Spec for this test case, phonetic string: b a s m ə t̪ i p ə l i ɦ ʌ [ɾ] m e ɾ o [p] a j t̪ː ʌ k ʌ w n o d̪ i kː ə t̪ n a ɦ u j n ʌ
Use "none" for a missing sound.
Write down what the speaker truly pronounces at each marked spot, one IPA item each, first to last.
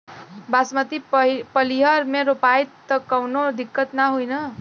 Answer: ɾ, p

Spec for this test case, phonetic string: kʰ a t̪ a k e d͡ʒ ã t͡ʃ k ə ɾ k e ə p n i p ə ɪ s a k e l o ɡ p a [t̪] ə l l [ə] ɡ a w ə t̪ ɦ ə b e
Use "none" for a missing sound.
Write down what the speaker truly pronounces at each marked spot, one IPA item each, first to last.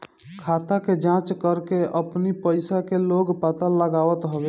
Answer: t̪, ə

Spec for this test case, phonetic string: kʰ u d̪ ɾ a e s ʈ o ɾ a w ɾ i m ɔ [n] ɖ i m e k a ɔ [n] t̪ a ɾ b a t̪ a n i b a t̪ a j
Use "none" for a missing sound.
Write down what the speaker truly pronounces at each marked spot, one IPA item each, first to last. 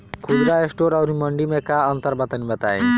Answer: ɳ, n

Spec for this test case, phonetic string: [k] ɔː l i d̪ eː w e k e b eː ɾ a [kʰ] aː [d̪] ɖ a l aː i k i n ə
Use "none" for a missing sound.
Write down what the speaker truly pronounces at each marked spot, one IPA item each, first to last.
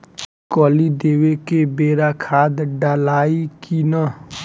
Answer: k, kʰ, d̪

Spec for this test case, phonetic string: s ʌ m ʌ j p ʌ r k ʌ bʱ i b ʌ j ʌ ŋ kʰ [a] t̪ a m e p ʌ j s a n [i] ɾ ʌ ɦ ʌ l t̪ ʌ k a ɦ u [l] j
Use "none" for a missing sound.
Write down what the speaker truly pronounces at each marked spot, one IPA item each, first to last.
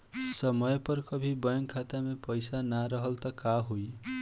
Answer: a, a, none

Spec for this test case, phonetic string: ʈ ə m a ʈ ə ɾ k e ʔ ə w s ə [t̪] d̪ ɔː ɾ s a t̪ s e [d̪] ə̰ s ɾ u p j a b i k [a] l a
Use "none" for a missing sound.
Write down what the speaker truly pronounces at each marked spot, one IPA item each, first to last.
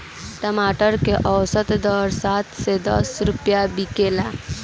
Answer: t̪, d̪, e

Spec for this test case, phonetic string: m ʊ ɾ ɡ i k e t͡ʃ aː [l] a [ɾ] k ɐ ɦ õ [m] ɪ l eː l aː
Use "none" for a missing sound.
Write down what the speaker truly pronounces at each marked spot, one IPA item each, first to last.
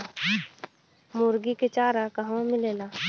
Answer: ɾ, none, m

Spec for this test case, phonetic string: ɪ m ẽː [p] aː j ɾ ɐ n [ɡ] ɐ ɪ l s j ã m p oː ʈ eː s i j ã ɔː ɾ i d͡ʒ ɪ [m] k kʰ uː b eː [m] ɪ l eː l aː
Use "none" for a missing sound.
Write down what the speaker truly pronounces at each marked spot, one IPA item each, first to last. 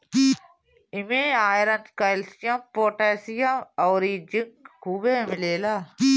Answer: none, k, ŋ, m

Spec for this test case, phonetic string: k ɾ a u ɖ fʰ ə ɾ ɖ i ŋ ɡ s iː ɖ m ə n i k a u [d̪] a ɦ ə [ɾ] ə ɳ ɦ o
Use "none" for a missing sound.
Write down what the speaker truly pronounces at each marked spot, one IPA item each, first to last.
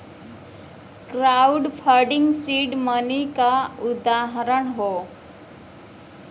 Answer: d̪, ɾ

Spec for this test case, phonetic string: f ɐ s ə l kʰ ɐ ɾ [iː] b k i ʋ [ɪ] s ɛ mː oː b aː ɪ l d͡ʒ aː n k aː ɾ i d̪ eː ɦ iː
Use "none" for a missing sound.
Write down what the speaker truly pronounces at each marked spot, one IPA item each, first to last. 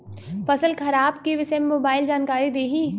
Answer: aː, ɪ

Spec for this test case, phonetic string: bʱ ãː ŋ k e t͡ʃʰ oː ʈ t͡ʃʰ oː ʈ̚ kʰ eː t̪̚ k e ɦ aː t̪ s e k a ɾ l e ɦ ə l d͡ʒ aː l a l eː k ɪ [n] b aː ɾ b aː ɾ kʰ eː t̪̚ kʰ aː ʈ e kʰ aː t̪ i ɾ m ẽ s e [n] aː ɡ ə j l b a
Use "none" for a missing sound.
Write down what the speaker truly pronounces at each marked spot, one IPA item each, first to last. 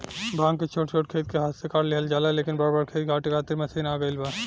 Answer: n, n

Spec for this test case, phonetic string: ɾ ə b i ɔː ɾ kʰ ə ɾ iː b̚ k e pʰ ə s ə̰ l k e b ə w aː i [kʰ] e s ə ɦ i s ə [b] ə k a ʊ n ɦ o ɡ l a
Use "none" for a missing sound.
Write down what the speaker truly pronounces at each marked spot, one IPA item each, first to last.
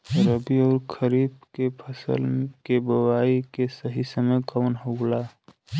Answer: k, m

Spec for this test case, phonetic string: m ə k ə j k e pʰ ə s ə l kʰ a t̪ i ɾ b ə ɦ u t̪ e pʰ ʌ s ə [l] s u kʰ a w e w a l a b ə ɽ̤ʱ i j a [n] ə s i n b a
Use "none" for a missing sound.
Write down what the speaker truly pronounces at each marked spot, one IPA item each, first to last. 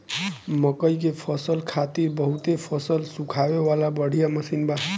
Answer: l, m

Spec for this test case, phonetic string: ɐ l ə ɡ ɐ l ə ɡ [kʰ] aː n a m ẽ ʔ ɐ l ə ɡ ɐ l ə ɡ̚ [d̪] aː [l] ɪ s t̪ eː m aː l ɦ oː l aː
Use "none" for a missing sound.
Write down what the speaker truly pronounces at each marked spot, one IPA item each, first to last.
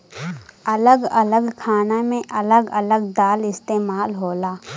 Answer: kʰ, d̪, l

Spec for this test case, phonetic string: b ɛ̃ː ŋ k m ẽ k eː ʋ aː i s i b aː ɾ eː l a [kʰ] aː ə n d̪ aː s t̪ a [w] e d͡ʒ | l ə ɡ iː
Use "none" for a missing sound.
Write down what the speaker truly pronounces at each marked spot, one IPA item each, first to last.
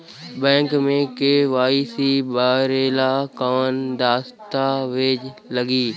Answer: k, ʋ

